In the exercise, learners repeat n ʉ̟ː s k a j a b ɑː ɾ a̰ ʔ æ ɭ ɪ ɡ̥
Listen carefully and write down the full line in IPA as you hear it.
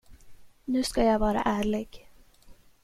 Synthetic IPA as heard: n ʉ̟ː s k a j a v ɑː ɾ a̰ ʔ æː ɭ ɪ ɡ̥